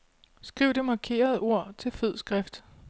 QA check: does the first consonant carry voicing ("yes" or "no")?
no